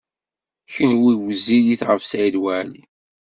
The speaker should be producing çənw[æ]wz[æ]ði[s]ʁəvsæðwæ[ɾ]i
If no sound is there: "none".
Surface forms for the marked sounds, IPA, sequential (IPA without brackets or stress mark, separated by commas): i, i, θ, l